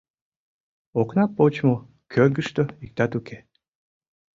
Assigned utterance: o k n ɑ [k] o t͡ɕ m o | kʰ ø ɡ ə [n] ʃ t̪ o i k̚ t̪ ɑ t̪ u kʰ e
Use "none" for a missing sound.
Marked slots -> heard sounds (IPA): p, none

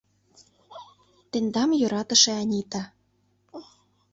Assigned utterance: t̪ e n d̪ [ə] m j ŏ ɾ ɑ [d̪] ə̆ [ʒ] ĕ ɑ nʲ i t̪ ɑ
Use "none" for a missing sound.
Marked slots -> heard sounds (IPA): ɑ, t̪, ʃ

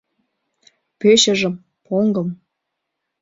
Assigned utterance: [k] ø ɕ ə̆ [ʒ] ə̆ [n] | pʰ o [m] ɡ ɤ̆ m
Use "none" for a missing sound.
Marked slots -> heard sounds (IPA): p, ʒ, m, ŋ

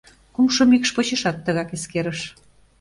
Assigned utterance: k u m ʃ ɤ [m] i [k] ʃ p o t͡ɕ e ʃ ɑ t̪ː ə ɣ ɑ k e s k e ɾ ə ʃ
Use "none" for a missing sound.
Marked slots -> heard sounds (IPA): m, k

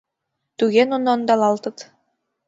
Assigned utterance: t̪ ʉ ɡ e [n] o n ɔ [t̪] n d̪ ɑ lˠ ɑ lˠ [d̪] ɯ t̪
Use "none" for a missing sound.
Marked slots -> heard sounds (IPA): n, none, t̪

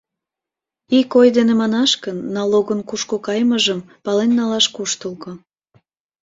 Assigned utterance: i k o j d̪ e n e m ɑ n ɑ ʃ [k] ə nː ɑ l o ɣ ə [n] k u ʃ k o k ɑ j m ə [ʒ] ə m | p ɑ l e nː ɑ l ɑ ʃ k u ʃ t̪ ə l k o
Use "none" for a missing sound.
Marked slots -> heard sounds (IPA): k, n, ʒ

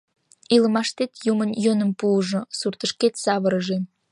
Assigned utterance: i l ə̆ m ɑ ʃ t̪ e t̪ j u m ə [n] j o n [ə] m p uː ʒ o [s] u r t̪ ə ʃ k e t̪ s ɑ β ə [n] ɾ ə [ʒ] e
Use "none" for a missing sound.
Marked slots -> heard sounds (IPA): n, ə, s, none, ʒ

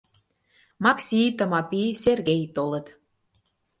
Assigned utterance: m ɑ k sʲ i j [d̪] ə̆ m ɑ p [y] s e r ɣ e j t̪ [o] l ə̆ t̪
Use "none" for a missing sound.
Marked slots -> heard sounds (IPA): t̪, i, o

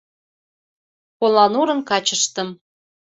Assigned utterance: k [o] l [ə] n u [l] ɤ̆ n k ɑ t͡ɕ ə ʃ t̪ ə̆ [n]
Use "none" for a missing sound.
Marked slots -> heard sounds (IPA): o, ɑ, ɾ, m

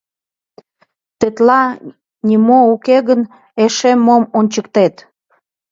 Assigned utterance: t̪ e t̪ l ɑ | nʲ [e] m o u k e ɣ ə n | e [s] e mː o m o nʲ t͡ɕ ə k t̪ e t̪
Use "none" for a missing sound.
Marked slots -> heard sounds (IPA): i, ʃ

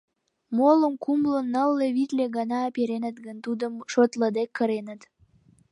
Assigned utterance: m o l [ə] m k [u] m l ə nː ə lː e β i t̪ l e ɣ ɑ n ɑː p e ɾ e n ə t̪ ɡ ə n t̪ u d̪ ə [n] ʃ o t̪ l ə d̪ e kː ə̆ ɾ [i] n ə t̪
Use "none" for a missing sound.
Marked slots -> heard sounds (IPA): ə, u, m, e

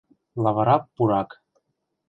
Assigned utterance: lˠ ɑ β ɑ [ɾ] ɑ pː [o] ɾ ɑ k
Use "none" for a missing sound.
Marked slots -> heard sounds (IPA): ɾ, u

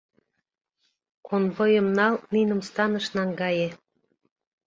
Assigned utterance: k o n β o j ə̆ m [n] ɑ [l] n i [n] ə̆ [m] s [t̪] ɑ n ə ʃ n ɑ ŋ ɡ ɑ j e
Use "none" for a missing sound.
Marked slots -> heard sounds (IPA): n, l, n, m, t̪

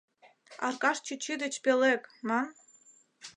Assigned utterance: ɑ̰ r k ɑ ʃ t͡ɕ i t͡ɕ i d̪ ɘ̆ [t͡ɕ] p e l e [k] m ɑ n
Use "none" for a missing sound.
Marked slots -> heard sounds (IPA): t͡ɕ, k

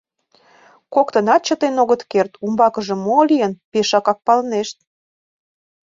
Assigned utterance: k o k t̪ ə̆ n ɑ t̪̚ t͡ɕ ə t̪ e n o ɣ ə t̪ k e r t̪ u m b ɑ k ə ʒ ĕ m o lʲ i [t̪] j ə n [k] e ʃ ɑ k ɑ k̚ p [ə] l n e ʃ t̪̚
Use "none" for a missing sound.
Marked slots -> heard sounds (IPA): none, p, ɑ

